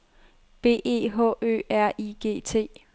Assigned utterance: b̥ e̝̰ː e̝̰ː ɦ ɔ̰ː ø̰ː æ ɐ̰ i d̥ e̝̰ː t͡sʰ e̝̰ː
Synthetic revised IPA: b̥ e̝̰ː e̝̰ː ɦ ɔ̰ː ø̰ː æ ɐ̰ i ɡ̥ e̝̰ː t͡sʰ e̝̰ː